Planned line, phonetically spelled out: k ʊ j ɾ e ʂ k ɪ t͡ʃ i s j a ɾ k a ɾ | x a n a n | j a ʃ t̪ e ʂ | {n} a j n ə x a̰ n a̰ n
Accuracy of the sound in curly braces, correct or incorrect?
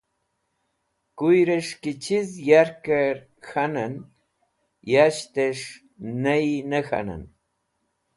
correct